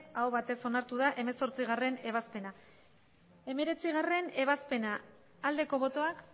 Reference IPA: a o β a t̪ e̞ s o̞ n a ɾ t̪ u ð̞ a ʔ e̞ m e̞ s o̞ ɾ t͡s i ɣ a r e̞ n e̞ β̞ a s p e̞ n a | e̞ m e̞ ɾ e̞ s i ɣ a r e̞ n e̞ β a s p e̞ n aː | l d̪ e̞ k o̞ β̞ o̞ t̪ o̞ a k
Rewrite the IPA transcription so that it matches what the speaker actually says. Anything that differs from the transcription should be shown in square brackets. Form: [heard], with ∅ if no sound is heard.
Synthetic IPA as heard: a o β a t̪ e̞ s o̞ n a ɾ t̪ u ð̞ a ʔ e̞ m e̞ s o̞ ɾ t͡s i ɣ a r e̞ n e̞ β̞ a s p e̞ n a | e̞ m e̞ ɾ e̞ [t͡s] i ɣ a r e̞ n e̞ β a s p e̞ n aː | l d̪ e̞ k o̞ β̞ o̞ t̪ o̞ a k